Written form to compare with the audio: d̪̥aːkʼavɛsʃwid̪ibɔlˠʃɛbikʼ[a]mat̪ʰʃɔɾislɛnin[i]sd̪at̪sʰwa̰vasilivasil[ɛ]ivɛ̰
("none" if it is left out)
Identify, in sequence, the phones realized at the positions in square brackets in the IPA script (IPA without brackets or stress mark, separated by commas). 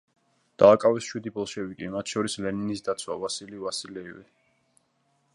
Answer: i, i, ɛ